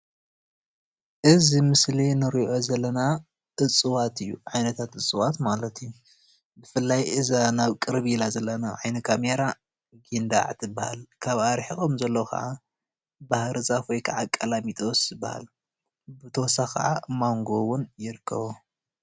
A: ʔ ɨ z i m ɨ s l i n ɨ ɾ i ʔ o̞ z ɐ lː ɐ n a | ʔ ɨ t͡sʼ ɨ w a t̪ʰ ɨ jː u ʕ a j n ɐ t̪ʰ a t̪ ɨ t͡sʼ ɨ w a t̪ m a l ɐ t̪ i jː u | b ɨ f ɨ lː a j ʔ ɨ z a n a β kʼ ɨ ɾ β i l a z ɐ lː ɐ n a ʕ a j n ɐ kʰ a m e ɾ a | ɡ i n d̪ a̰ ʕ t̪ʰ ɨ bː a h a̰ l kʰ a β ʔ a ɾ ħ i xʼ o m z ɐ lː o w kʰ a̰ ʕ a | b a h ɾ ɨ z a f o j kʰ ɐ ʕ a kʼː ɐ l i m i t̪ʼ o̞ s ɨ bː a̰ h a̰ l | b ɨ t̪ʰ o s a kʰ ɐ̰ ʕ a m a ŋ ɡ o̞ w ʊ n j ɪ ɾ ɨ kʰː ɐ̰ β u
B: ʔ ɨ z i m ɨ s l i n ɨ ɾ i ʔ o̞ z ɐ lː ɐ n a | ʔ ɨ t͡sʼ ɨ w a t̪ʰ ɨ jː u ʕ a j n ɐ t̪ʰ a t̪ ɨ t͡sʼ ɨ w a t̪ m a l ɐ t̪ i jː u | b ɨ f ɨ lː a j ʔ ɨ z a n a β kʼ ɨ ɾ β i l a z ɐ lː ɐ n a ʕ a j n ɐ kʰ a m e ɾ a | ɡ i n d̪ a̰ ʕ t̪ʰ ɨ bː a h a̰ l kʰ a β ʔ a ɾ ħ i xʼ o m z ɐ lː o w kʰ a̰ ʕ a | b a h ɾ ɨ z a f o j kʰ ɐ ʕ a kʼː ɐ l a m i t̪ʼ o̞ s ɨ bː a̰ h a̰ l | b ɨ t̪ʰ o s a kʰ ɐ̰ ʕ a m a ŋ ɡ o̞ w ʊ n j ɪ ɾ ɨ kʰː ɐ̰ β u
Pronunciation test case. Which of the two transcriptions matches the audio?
B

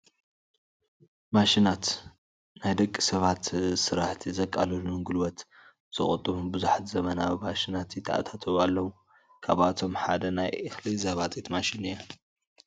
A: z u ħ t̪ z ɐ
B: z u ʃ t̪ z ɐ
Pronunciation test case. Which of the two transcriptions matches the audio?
A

